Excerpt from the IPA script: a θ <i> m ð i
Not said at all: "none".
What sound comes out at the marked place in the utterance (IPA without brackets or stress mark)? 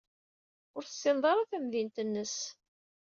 æ